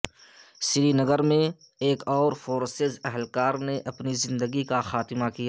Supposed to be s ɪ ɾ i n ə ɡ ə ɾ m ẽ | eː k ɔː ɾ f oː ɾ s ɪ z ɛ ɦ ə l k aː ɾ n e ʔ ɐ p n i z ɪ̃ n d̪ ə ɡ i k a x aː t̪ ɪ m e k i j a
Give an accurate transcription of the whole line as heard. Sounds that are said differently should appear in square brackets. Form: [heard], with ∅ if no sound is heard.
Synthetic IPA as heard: s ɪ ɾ i n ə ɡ ə ɾ m ẽ | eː k ɔː ɾ f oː ɾ s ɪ z ɛ ɦ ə l k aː ɾ n e ʔ ɐ p n i z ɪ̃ n d̪ ə ɡ i k a x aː t̪ ɪ m [a] k i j a